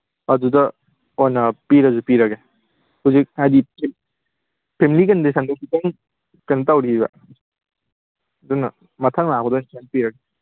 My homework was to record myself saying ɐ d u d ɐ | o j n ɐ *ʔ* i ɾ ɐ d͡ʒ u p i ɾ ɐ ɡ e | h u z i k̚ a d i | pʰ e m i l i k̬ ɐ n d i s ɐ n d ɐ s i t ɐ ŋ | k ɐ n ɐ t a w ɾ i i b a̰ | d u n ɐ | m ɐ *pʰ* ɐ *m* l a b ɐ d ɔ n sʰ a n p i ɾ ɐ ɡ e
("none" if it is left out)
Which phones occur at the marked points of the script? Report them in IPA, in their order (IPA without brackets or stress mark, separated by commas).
p, tʰ, ŋ